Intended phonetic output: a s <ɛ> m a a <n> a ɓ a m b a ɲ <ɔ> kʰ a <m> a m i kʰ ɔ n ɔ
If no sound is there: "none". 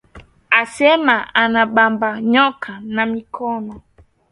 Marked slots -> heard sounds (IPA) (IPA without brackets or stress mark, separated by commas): ɛ, n, ɔ, n